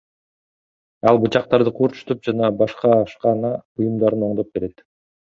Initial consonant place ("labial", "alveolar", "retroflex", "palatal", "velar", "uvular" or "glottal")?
alveolar